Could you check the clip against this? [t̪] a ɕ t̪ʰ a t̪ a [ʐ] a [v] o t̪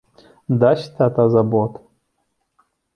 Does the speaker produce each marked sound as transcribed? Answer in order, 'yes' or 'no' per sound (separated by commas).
no, no, no